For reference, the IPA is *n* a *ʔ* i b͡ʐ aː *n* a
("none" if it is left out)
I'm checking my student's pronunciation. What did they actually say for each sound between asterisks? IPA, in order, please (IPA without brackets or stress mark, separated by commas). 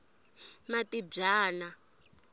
m, t, n